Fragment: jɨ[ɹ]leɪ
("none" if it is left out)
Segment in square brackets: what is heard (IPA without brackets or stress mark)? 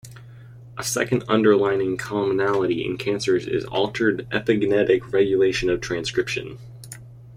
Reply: none